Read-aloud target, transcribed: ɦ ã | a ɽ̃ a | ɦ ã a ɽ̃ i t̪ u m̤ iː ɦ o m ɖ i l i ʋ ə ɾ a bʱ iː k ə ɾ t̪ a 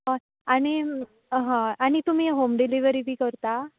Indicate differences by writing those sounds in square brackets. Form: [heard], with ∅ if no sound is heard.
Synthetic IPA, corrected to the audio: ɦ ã | a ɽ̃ [i] | ɦ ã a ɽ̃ i t̪ u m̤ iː ɦ o m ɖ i l i ʋ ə ɾ [i] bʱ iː k ə ɾ t̪ a